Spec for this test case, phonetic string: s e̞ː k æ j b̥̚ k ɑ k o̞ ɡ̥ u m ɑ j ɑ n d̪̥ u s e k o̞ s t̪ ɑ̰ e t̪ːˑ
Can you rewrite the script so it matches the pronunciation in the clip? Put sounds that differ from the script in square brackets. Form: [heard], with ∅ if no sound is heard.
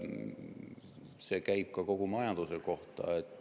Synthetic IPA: s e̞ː k æ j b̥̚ k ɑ k o̞ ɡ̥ u m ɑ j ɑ n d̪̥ u s e k o̞ [h] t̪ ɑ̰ e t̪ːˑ